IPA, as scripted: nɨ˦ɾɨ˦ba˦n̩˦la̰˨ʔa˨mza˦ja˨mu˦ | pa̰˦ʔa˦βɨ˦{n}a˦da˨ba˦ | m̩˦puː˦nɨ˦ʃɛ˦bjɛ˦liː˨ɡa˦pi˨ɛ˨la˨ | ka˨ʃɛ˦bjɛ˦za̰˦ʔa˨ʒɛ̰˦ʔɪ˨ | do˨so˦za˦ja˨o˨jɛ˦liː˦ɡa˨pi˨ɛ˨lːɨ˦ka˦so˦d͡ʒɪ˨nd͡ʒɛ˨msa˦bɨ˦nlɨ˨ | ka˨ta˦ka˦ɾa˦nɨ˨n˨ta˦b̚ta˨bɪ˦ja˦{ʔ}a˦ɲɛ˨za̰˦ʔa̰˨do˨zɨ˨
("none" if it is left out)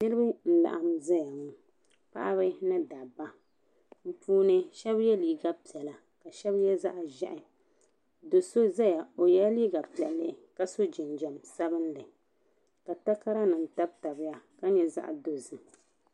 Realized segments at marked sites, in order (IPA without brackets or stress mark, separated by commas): n, k